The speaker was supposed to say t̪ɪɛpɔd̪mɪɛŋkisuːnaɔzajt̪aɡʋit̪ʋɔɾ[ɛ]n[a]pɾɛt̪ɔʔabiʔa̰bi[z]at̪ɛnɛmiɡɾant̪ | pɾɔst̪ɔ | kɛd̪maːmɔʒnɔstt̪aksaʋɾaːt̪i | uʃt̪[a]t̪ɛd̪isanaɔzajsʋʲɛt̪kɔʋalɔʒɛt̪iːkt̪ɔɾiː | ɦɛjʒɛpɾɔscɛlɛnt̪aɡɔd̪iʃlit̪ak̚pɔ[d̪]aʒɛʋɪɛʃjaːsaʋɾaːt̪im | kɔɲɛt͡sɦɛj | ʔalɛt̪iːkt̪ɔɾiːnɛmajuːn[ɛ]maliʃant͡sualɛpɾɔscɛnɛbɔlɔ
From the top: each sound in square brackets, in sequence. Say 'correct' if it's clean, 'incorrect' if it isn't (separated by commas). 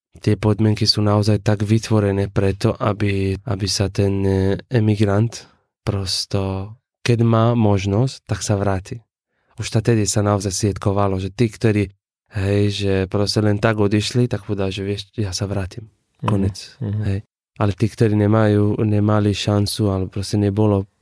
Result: correct, incorrect, incorrect, correct, correct, correct